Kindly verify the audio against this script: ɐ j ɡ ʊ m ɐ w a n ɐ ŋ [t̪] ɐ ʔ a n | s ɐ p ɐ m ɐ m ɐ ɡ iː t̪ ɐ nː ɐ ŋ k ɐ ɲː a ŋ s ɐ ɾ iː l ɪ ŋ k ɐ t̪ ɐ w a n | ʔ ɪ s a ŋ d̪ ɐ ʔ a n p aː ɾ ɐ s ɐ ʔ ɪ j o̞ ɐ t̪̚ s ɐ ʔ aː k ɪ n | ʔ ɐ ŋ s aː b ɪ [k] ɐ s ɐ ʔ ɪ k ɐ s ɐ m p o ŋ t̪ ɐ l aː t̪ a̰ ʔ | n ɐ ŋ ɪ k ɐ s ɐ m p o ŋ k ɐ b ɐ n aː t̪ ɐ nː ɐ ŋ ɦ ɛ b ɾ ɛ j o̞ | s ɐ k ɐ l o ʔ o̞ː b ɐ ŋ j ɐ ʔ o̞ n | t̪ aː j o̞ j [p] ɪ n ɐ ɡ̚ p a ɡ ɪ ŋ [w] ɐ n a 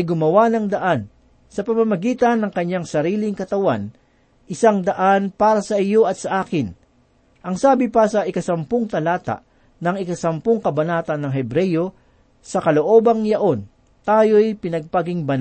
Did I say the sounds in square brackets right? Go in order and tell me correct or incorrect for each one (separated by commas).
incorrect, incorrect, correct, incorrect